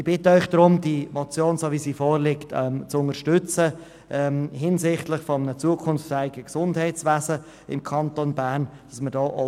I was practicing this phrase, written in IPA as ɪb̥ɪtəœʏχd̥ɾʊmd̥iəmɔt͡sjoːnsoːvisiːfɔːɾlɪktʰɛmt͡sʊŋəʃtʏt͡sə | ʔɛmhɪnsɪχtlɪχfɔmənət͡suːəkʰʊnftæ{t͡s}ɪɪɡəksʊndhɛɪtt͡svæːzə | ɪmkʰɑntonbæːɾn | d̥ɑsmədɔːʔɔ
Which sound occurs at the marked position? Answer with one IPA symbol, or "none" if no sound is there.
none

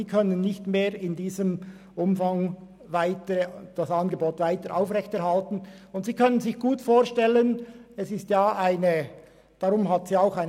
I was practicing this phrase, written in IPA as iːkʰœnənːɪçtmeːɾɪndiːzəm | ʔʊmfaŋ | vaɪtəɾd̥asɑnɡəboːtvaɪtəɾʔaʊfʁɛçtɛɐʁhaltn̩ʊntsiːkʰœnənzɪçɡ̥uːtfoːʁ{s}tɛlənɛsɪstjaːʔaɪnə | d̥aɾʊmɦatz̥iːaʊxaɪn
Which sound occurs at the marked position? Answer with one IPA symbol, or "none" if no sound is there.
ʃ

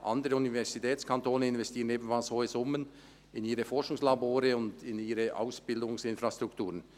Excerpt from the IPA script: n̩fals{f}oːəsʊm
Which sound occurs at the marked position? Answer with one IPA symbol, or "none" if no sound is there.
h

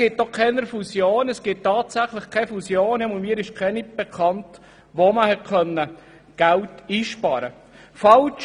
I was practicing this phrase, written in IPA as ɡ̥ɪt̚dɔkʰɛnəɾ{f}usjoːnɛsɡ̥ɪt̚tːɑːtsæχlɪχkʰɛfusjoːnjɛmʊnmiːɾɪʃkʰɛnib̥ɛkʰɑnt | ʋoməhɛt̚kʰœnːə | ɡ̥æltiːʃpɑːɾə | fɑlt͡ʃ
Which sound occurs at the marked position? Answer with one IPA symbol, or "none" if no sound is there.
f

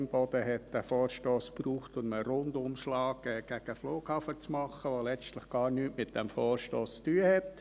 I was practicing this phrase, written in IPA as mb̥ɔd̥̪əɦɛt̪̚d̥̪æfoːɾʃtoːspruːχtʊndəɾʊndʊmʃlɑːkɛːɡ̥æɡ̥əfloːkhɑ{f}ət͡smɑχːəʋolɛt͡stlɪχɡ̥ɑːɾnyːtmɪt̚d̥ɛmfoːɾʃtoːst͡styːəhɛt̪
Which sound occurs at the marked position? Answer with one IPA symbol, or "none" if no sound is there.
f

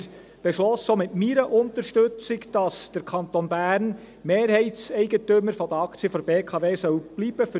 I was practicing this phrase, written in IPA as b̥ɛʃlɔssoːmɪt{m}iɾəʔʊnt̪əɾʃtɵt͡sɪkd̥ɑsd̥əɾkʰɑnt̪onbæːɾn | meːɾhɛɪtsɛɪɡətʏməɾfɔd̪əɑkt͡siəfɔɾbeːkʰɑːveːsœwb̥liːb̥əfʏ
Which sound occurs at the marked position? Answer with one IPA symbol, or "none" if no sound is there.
m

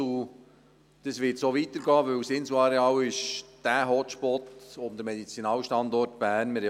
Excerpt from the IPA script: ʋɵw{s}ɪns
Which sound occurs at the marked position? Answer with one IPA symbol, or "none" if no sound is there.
s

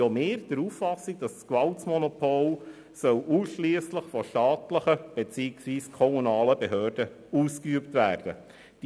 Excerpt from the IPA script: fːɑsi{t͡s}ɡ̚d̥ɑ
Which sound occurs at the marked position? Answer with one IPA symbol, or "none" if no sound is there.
none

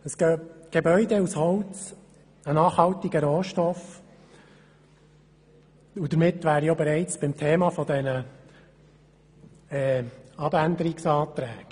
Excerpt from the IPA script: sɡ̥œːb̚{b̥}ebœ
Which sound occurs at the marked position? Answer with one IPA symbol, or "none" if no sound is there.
ɡ̥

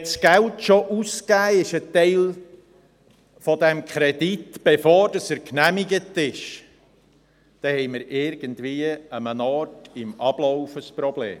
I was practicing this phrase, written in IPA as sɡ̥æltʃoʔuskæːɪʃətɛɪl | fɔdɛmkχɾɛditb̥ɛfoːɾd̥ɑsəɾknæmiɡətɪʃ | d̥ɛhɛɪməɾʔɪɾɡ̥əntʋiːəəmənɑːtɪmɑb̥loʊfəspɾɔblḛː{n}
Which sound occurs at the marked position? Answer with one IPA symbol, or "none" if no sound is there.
m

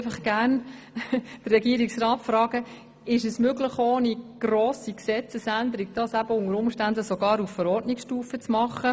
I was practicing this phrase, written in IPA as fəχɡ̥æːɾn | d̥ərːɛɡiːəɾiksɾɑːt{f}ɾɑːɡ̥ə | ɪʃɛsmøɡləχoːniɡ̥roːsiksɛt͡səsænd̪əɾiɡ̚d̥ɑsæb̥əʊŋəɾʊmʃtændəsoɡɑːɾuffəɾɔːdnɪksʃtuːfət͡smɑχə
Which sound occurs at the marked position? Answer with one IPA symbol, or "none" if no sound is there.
f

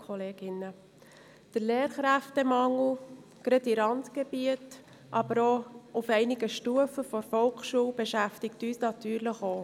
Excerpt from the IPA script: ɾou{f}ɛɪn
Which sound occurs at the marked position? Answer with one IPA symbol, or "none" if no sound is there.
f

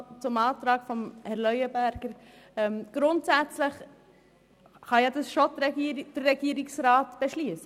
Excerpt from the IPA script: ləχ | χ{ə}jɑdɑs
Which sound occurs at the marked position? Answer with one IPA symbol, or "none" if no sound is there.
ɑ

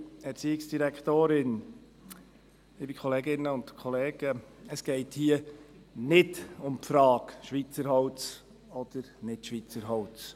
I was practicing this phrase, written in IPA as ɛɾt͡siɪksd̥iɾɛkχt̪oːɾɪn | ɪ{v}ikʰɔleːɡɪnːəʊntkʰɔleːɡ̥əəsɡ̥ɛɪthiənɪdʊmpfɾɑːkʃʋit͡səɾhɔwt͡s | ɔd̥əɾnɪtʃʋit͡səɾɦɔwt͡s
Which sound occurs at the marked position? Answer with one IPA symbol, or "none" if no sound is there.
b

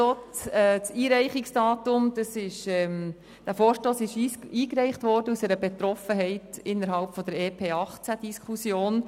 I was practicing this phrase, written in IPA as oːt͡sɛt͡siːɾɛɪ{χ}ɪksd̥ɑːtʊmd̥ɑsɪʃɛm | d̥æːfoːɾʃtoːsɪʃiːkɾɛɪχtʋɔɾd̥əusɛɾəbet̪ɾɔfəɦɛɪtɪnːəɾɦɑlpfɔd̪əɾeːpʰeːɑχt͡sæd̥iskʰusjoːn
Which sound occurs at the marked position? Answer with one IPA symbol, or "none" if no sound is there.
χ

